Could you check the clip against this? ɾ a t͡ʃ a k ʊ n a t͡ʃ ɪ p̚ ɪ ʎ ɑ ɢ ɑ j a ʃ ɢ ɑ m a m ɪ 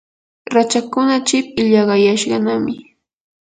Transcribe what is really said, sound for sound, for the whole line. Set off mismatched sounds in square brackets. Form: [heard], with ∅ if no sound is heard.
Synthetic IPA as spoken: ɾ a t͡ʃ a k ʊ n a t͡ʃ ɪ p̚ ɪ ʎ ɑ ɢ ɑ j a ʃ ɢ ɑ [n] a m ɪ